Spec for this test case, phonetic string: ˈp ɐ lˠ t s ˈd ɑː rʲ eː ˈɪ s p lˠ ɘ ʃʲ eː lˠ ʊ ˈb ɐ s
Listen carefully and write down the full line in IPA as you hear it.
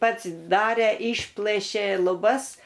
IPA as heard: ˈp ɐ t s ˈd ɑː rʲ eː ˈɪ ʃ p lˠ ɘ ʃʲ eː lˠ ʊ ˈb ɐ s